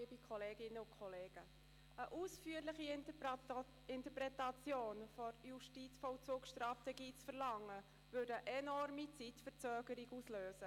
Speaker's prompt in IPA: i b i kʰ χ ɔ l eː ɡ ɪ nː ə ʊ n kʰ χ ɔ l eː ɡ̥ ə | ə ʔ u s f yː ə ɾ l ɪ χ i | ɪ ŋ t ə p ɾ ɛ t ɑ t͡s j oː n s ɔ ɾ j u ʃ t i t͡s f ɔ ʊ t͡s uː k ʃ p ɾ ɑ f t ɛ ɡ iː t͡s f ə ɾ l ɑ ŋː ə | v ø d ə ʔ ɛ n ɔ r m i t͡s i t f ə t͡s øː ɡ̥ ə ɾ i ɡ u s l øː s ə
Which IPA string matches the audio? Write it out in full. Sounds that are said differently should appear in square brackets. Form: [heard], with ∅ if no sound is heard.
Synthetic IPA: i b i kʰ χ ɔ l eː ɡ ɪ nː ə ʊ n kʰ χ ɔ l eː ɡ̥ ə | ə ʔ u s f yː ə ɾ l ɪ χ i | ɪ [n] t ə p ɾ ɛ t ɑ t͡s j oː n [f] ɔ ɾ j u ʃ t i t͡s f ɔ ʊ t͡s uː k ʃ [t] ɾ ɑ f t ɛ ɡ iː t͡s f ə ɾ l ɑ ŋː ə | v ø d ə ʔ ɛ n ɔ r m i t͡s i t f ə t͡s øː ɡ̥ ə ɾ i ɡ u s l øː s ə